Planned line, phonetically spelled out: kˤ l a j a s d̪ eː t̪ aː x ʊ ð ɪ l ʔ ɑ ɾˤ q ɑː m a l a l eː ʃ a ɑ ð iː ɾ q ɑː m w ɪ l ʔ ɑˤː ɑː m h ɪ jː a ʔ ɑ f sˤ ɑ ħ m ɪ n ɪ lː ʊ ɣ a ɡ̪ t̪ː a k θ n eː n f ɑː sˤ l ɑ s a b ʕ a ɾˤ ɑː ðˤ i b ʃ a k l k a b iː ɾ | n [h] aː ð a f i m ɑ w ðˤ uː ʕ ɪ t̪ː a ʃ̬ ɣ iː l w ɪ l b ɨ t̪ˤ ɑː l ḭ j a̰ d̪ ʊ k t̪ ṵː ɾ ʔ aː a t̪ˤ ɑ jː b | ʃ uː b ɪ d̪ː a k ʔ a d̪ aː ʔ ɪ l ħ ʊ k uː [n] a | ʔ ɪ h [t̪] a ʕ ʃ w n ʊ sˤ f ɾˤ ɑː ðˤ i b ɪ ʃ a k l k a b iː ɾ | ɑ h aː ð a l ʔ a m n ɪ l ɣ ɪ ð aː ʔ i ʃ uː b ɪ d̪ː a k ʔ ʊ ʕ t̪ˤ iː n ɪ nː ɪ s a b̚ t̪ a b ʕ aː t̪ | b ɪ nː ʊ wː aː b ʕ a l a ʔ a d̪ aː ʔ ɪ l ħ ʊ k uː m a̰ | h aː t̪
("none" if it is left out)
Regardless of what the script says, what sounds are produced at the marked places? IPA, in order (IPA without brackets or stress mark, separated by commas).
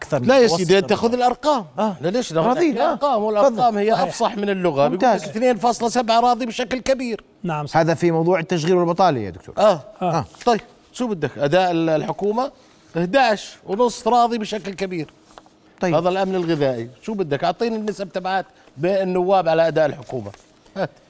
h, m, d̪